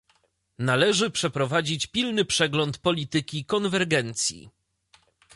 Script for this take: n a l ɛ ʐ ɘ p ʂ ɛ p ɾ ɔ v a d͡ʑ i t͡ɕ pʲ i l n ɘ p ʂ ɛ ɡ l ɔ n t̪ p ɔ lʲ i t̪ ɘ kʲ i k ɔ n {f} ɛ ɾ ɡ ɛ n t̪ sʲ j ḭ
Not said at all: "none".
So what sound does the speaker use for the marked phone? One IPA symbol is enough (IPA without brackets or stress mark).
v